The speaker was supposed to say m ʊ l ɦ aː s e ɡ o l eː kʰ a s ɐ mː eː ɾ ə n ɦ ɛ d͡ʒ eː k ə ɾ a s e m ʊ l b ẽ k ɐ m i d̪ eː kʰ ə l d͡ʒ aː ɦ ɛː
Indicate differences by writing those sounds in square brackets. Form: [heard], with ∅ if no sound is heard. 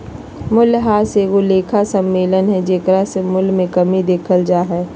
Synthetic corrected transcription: m ʊ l ɦ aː s e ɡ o l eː kʰ a s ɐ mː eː [l] ə n ɦ ɛ d͡ʒ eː k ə ɾ a s e m ʊ l [m] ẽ k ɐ m i d̪ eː kʰ ə l d͡ʒ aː ɦ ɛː